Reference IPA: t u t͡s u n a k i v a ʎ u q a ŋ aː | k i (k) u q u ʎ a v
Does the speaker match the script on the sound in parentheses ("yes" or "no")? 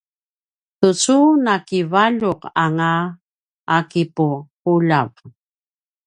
no